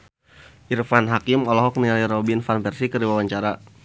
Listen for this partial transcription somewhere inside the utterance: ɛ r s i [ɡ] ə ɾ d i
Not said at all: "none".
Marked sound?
k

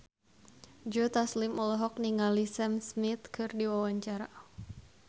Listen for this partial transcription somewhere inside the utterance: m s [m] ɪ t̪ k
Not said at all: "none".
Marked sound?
m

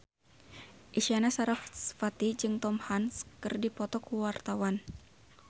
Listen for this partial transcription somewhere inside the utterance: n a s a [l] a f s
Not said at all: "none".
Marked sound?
ɾ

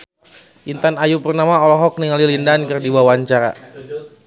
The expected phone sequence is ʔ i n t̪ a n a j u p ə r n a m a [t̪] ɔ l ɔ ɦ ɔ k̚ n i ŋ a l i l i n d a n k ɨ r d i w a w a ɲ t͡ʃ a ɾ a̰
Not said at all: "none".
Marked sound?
none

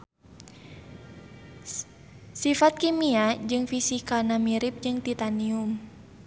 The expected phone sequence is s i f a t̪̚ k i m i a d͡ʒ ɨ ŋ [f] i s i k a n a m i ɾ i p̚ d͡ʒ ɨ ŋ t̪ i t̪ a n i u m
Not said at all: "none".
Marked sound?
f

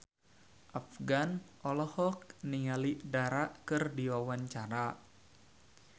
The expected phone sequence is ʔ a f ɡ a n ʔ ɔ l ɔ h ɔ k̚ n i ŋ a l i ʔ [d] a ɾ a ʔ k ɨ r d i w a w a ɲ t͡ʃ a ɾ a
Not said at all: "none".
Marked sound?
d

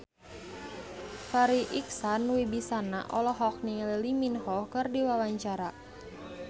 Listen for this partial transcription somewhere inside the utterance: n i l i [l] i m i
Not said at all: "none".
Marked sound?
l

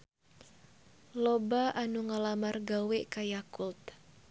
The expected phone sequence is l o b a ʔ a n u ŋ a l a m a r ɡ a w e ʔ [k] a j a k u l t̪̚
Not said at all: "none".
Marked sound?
k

